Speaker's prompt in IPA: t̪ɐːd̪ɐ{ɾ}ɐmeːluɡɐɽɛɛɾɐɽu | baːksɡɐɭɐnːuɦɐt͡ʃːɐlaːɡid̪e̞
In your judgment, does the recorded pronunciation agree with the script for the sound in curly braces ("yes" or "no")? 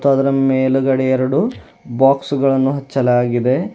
yes